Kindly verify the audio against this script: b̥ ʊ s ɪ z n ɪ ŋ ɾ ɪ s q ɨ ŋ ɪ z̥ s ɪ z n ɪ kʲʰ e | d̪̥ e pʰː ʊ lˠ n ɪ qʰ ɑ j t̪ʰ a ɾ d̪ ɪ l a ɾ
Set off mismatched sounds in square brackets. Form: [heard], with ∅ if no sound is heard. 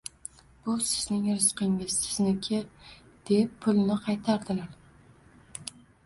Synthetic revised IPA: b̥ ʊ s ɪ z n ɪ ŋ ɾ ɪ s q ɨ ŋ ɪ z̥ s ɪ z n ɪ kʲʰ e | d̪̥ e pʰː ʊ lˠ n ɪ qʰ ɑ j t̪ʰ a ɾ d̪ ɪ l a ɾ